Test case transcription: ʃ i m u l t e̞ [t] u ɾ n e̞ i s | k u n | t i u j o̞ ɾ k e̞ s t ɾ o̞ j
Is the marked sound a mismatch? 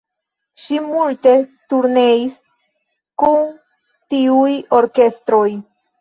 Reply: no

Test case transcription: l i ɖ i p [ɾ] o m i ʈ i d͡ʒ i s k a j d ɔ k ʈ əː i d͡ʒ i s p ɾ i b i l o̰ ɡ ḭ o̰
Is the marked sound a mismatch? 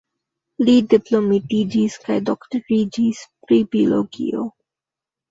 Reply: yes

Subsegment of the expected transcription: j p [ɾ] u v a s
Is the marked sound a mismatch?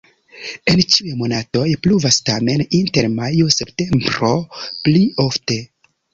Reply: yes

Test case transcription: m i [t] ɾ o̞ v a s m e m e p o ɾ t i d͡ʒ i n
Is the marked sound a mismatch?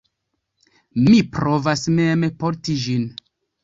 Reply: yes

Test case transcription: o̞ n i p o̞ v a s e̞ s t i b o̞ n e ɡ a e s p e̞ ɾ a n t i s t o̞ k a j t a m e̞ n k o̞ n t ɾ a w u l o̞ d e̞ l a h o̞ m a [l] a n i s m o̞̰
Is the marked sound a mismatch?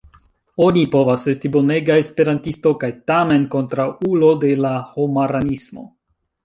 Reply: yes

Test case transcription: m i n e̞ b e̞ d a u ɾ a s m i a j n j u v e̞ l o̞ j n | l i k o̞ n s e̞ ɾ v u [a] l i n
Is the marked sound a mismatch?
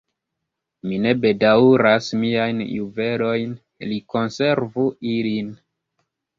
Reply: yes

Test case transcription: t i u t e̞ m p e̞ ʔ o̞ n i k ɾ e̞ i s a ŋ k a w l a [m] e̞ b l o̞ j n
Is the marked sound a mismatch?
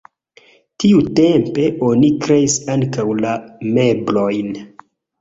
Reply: no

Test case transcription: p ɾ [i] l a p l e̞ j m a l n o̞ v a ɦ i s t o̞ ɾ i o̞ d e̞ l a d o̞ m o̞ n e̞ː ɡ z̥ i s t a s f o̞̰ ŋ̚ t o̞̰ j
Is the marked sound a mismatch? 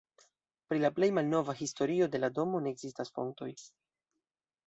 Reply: no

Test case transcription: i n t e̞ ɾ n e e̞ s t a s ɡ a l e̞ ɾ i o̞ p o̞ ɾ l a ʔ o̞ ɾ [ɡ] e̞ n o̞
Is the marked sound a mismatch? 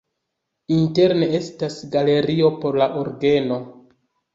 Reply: no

